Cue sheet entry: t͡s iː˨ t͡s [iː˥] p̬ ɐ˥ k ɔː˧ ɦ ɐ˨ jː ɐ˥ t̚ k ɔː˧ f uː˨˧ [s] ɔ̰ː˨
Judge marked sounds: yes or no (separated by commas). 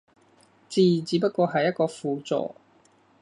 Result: no, no